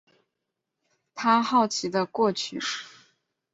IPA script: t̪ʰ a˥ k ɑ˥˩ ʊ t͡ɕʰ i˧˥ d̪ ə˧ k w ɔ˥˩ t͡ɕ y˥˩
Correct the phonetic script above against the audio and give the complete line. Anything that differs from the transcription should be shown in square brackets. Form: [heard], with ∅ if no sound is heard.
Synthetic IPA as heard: t̪ʰ a˥ [x] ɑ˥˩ ʊ t͡ɕʰ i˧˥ d̪ ə˧ k w ɔ˥˩ [t͡ɕʰ] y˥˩